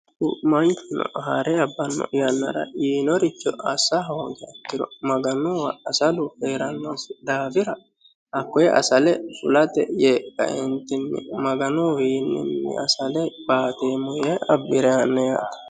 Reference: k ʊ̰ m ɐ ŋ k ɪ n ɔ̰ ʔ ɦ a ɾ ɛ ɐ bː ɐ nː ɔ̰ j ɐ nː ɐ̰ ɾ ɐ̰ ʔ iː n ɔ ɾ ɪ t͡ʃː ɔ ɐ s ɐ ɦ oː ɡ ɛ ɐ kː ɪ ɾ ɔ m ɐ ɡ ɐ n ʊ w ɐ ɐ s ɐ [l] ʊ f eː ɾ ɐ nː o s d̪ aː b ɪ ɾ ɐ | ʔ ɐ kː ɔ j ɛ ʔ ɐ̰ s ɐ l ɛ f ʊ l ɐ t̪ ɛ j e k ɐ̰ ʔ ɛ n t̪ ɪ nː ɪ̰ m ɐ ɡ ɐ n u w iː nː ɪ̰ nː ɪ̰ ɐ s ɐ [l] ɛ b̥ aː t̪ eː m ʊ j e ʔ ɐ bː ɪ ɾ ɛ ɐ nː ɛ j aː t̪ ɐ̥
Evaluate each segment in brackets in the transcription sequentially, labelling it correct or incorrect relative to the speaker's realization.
correct, correct

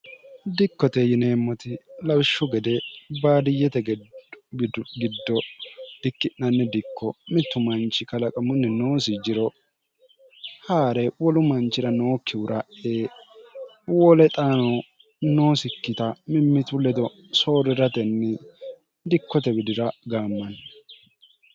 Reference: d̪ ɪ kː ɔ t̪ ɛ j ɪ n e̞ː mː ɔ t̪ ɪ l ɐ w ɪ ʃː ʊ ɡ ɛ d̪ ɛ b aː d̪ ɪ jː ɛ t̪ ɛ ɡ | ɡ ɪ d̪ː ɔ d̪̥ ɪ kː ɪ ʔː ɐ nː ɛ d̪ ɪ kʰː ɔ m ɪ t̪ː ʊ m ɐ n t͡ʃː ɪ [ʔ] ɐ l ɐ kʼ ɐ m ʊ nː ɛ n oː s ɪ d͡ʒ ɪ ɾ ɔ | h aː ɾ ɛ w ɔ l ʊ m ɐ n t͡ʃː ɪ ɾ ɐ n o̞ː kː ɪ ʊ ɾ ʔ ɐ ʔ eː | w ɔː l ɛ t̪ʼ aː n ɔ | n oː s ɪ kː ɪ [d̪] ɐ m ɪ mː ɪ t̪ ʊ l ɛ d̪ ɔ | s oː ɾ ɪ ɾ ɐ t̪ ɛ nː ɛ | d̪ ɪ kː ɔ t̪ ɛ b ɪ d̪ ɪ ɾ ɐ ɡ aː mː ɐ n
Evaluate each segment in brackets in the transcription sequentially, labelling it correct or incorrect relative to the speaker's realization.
incorrect, incorrect

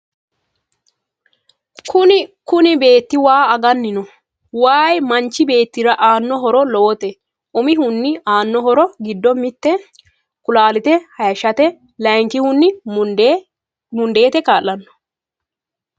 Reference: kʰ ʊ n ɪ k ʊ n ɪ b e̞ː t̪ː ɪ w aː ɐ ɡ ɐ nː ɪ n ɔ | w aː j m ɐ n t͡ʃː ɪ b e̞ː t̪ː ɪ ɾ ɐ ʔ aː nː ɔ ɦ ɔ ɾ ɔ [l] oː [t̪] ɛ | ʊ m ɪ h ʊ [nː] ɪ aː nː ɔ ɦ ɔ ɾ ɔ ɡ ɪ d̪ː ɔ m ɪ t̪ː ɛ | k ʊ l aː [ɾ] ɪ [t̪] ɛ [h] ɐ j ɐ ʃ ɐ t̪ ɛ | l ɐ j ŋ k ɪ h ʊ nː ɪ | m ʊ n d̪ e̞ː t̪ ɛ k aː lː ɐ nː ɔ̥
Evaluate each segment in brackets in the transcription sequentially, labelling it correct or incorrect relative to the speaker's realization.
correct, correct, correct, incorrect, correct, correct

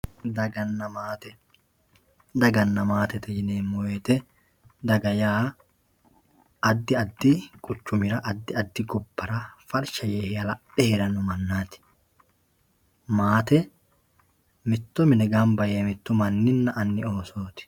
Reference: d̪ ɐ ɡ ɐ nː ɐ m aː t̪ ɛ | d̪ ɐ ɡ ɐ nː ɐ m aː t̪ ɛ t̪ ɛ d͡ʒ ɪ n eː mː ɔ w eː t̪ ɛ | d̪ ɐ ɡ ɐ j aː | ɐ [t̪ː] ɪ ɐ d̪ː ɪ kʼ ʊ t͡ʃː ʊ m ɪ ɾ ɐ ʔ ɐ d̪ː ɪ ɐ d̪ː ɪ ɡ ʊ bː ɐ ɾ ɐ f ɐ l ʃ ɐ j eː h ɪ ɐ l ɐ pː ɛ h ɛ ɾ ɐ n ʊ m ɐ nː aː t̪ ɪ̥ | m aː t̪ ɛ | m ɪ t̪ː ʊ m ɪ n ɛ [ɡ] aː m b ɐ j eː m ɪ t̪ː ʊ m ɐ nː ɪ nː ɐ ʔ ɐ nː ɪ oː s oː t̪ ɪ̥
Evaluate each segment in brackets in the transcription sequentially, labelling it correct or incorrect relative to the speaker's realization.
incorrect, correct

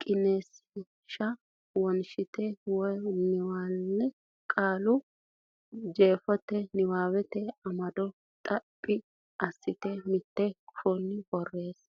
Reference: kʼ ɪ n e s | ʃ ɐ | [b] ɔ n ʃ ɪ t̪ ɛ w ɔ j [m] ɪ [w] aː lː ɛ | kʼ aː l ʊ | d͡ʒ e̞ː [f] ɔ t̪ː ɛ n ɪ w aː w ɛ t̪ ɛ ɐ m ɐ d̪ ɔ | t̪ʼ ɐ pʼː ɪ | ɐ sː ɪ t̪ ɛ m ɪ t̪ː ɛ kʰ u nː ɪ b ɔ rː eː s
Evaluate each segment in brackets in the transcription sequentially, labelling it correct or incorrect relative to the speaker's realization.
incorrect, incorrect, correct, correct

